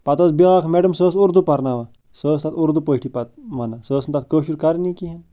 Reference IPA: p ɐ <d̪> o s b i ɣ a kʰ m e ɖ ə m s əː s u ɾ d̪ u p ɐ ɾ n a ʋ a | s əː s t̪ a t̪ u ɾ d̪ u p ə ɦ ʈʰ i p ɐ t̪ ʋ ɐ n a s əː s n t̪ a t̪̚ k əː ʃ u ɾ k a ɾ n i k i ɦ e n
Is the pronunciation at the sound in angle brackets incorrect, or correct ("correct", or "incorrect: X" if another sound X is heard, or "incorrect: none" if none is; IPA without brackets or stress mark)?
incorrect: t̪